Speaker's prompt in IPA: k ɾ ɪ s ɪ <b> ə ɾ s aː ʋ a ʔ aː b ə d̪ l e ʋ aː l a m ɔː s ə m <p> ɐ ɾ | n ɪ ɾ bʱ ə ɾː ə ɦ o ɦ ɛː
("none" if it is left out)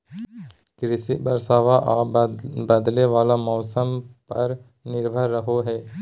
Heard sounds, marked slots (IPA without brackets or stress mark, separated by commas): b, p